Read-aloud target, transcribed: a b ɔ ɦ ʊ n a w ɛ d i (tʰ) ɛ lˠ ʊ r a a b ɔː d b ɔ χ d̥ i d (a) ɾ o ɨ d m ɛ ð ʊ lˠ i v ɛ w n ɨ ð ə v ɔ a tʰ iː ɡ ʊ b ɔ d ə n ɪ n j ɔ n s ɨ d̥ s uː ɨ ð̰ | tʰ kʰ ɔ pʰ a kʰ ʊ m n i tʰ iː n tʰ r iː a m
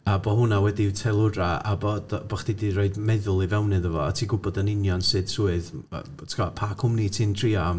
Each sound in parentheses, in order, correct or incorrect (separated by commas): correct, incorrect